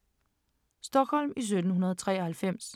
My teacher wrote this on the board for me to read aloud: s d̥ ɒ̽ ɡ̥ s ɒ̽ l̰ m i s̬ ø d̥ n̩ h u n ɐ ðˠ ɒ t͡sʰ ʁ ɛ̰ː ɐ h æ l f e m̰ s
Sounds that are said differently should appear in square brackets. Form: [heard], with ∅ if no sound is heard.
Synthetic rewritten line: s d̥ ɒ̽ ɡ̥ [h] ɒ̽ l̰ m i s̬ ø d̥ n̩ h u n ɐ ðˠ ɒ t͡sʰ ʁ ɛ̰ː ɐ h æ l f e m̰ s